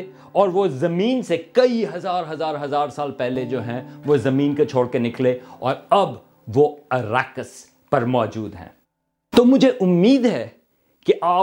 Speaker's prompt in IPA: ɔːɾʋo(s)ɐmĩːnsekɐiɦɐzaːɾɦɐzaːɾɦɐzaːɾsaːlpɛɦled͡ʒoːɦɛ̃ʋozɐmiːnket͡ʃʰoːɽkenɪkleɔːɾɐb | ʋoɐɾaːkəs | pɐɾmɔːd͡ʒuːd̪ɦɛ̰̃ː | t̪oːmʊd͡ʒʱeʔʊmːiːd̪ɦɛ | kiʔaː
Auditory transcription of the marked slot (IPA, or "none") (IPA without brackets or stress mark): z